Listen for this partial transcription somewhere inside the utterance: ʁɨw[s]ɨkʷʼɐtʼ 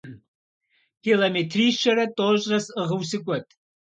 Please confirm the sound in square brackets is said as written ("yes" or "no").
yes